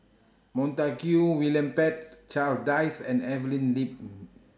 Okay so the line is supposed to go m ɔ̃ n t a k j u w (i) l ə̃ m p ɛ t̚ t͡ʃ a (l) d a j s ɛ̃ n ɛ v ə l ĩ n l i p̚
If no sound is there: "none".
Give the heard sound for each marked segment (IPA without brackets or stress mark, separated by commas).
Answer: i, l